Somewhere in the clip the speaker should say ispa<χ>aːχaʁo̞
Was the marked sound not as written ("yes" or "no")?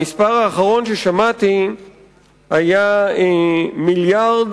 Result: yes